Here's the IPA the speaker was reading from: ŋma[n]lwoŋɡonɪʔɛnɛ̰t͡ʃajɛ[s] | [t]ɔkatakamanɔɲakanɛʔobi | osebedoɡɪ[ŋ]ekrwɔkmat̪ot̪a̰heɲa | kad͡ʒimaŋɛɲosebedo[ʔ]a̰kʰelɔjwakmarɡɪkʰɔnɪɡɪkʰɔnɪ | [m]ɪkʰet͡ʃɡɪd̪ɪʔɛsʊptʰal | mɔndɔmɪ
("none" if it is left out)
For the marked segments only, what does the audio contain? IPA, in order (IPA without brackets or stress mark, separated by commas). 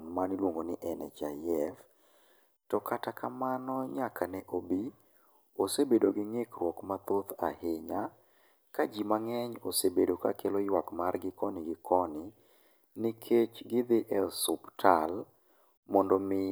n, f, t, ŋ, k, n